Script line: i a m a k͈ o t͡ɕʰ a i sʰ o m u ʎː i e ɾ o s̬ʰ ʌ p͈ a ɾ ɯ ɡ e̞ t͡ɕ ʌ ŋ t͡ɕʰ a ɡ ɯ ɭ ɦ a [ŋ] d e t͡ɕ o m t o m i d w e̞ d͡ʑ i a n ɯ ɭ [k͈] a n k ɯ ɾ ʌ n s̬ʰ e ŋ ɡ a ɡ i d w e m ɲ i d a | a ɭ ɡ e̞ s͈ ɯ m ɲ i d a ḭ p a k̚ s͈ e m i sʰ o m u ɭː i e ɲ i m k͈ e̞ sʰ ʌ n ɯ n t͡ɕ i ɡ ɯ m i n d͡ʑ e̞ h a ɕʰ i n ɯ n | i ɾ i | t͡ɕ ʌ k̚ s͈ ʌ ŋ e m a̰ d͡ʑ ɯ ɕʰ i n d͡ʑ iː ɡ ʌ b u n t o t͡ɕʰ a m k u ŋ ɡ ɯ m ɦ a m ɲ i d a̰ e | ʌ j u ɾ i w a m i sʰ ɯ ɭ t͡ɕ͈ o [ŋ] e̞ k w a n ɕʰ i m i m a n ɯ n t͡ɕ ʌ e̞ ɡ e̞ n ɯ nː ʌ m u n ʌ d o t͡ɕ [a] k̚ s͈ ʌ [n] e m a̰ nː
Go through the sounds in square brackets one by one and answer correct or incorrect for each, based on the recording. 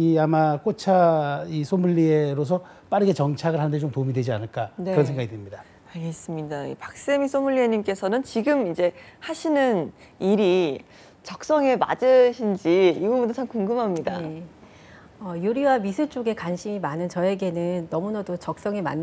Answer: incorrect: n, correct, incorrect: ɡ, incorrect: ʌ, incorrect: ŋ

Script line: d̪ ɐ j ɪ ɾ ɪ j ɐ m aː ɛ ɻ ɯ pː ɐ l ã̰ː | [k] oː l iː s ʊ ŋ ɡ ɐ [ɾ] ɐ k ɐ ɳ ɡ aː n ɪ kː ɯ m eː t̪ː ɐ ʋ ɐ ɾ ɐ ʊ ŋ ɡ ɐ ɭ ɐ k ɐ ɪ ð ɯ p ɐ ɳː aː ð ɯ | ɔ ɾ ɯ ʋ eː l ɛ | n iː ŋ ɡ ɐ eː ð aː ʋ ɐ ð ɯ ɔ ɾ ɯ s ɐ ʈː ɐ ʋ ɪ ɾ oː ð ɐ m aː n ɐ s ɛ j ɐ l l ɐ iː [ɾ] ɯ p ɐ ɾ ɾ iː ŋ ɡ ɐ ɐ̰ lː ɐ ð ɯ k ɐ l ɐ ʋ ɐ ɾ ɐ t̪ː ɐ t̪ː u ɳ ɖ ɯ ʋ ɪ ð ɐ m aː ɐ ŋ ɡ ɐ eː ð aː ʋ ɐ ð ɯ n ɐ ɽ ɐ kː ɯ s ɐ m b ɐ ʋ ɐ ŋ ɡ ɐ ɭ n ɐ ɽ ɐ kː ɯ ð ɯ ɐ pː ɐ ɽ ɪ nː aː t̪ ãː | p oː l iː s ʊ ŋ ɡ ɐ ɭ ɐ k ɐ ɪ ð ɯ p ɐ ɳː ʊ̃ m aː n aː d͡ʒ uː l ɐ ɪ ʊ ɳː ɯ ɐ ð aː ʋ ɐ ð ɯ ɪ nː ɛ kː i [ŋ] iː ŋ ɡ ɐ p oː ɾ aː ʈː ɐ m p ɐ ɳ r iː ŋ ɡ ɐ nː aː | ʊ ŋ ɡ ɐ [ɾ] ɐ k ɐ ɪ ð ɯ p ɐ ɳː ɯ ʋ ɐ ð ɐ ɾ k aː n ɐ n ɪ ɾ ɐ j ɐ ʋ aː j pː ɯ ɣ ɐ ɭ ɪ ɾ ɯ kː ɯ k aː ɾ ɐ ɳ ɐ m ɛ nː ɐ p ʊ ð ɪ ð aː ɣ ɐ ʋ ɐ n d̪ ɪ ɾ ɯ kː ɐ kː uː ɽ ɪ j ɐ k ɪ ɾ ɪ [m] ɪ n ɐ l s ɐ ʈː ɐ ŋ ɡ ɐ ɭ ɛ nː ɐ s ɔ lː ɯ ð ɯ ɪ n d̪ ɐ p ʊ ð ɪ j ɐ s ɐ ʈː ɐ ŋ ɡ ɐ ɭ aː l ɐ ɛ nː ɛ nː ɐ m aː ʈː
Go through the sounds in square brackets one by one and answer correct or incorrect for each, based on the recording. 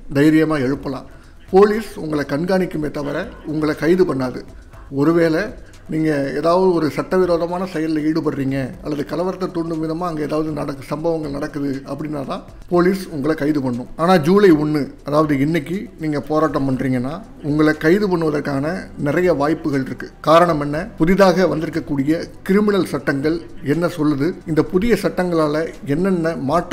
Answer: incorrect: p, incorrect: ɭ, incorrect: ɽ, incorrect: n, incorrect: ɭ, correct

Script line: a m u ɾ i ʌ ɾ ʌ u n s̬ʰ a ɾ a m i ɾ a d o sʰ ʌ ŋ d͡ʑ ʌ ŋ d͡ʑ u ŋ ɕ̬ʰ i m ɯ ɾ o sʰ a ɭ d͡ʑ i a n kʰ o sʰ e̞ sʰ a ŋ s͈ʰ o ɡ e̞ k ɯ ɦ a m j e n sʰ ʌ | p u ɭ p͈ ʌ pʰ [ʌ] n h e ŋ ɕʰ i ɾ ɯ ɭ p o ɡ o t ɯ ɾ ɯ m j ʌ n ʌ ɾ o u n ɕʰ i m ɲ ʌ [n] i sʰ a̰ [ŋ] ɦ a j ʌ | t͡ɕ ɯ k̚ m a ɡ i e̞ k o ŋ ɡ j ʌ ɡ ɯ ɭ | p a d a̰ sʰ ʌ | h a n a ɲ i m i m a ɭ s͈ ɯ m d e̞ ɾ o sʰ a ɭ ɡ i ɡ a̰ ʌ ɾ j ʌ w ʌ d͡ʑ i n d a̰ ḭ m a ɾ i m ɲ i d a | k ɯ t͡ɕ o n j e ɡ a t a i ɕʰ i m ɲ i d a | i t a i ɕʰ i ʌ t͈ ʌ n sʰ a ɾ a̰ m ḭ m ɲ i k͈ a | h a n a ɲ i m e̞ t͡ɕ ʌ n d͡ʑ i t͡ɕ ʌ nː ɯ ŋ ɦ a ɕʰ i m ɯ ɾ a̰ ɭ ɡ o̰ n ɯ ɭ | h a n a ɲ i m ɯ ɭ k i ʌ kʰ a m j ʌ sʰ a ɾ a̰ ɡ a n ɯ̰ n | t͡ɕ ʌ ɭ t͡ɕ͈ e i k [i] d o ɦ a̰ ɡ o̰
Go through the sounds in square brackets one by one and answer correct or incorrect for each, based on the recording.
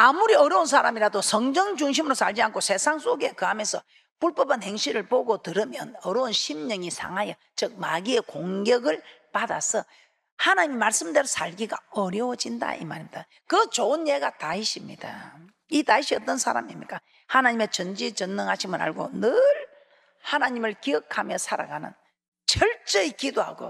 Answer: incorrect: a, incorrect: ŋ, correct, correct

